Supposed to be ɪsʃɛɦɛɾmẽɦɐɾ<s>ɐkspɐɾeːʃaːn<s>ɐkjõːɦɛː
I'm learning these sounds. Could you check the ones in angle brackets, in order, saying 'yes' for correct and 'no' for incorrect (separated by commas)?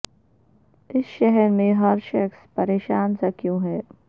no, yes